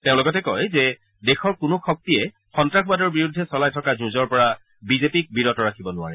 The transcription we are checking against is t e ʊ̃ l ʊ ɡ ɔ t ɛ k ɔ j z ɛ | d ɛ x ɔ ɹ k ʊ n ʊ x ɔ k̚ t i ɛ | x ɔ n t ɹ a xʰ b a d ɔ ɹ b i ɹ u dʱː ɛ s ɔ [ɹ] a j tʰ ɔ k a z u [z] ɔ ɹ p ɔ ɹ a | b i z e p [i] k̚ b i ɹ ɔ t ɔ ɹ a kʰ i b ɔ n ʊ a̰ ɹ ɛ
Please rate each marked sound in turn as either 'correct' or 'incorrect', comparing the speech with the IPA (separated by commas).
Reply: incorrect, correct, correct